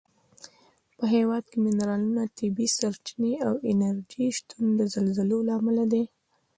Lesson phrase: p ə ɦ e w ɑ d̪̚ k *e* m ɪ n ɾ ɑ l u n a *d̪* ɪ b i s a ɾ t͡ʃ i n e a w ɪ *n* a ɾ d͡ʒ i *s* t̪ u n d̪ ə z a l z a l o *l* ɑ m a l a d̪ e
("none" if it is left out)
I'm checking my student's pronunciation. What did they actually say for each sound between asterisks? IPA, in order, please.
e, t̪, n, ʃ, l

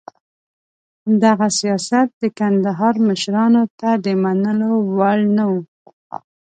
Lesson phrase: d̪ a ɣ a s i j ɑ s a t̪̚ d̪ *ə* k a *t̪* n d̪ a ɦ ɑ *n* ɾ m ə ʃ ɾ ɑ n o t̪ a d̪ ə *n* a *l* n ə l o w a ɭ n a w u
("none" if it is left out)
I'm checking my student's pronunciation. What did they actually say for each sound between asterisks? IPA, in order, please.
ə, none, none, m, none

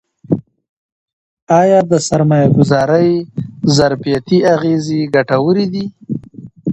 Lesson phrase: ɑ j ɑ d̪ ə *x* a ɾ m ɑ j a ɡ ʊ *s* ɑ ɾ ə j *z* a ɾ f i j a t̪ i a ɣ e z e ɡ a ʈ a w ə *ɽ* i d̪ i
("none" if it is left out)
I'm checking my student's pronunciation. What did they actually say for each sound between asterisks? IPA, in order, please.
s, z, z, ɾ

